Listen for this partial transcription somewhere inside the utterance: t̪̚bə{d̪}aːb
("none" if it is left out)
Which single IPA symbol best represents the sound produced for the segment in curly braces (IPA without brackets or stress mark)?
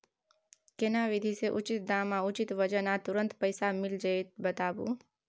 t̪